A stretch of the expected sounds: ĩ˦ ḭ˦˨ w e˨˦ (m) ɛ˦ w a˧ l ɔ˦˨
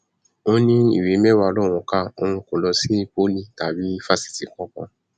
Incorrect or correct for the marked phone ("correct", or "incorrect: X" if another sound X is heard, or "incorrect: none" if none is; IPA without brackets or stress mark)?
correct